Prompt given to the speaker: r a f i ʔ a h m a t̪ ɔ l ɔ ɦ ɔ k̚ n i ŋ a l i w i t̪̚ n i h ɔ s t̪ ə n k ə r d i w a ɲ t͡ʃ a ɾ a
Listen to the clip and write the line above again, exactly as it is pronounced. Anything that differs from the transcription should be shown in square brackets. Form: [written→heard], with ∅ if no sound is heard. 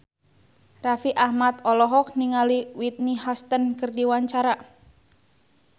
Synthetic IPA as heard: r a f i ʔ a h m a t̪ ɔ l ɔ ɦ ɔ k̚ n i ŋ a l i w i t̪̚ n i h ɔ s t̪ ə n k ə r d i w a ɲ t͡ʃ a ɾ a